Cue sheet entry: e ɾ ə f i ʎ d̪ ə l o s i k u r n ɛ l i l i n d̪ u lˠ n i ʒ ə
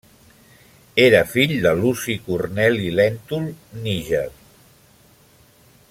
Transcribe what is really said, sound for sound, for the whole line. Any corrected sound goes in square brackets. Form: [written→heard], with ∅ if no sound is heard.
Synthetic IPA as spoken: e ɾ ə f i ʎ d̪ ə l [o→u] s i k u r n ɛ l i l [i→ɛ] n [d̪→t̪] u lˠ n i ʒ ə